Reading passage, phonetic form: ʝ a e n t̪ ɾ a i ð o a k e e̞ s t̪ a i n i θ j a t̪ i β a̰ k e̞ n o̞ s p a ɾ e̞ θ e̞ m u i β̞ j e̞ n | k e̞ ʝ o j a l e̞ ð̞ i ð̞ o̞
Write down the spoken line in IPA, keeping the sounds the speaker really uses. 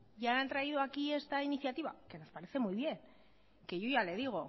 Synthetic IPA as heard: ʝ a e n t̪ ɾ a i ð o a k i e̞ s t̪ a i n i θ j a t̪ i β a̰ k e̞ n o̞ s p a ɾ e̞ θ e̞ m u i β̞ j e̞ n | k e̞ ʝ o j a l e̞ ð̞ i ɣ̞ o̞

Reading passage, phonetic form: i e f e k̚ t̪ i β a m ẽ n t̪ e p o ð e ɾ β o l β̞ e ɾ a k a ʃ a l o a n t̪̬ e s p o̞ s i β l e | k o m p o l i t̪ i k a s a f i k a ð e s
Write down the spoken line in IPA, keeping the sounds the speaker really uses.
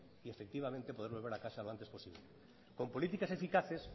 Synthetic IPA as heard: i e f e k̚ t̪ i β a m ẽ n t̪ e p o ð e ɾ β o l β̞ e ɾ a k a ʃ a l o a n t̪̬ e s p o̞ s i β l e | k o m p o l i t̪ i k a s e f i k a θ e s

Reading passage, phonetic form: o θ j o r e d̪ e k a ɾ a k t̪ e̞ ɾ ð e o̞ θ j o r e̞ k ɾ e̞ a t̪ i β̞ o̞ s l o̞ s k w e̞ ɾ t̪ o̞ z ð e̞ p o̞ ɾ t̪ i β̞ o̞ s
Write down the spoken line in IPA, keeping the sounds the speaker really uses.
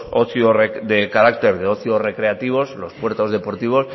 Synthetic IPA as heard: o θ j o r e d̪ e k a ɾ a k t̪ e̞ ɾ ð e o̞ θ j o r e̞ k ɾ e̞ a t̪ i β̞ o̞ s l o̞ s p w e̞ ɾ t̪ o̞ z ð e̞ p o̞ ɾ t̪ i β̞ o̞ s

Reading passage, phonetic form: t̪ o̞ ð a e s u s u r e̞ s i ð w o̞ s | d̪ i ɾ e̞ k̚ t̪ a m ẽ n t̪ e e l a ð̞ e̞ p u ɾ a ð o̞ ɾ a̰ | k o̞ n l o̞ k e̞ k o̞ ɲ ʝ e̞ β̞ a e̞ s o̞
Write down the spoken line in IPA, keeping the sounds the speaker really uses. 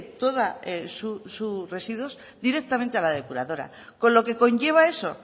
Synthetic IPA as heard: t̪ o̞ ð a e s u s u r e̞ s i ð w o̞ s | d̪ i ɾ e̞ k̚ t̪ a m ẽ n t̪ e a l a ð̞ e̞ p u ɾ a ð o̞ ɾ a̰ | k o̞ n l o̞ k e̞ k o̞ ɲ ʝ e̞ β̞ a e̞ s o̞

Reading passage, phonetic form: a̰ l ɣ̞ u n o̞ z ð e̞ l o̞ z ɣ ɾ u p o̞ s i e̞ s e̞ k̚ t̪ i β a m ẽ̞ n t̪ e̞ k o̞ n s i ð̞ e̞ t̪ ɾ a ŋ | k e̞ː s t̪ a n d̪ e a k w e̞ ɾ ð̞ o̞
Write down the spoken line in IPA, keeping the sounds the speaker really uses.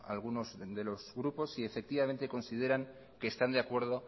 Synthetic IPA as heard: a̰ l ɣ̞ u n o̞ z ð e̞ l o̞ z ɣ ɾ u p o̞ s i e̞ f e̞ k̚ t̪ i β a m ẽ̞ n t̪ e̞ k o̞ n s i ð̞ e̞ ɾ a ŋ | k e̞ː s t̪ a n d̪ e a k w e̞ ɾ ð̞ o̞

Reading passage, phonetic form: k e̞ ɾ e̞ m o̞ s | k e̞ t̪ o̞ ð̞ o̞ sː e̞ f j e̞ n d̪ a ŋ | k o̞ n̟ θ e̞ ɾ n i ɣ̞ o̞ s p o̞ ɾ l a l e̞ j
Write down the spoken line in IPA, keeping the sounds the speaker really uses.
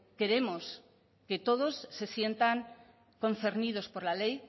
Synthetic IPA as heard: k e̞ ɾ e̞ m o̞ s | k e̞ t̪ o̞ ð̞ o̞ sː e̞ s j e̞ n t̪ a ŋ | k o̞ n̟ θ e̞ ɾ n i ð̞ o̞ s p o̞ ɾ l a l e̞ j

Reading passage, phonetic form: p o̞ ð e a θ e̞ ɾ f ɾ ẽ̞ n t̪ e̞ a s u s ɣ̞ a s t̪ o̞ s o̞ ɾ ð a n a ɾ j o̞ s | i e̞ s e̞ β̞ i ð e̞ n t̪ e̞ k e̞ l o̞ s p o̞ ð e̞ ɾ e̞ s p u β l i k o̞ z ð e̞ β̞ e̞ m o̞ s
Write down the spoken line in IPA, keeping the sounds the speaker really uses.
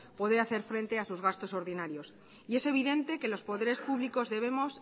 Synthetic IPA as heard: p o̞ ð e a θ e̞ ɾ f ɾ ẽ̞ n t̪ e̞ a s u z ɣ̞ a s t̪ o̞ s o̞ ɾ ð i n a ɾ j o̞ s | i e̞ s e̞ β̞ i ð e̞ n t̪ e̞ k e̞ l o̞ s p o̞ ð e̞ ɾ e̞ s p u β l i k o̞ z ð e̞ β̞ e̞ m o̞ s

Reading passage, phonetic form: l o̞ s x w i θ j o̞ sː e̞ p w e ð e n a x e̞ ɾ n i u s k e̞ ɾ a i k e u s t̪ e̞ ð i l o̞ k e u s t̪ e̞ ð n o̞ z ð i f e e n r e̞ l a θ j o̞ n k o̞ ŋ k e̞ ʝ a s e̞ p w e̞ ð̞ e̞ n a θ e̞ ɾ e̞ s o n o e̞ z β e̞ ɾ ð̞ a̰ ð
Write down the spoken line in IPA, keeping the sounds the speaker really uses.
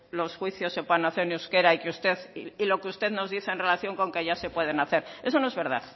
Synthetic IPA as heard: l o̞ s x w i θ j o̞ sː e̞ p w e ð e n a θ e̞ ɾ n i u s k e̞ ɾ a i k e u s t̪ e̞ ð i l o̞ k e u s t̪ e̞ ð n o̞ z ð i θ e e n r e̞ l a θ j o̞ ŋ k o̞ ŋ k e̞ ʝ a s e̞ p w e̞ ð̞ e̞ n a θ e̞ ɾ e̞ s o n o e̞ z β e̞ ɾ ð̞ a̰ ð

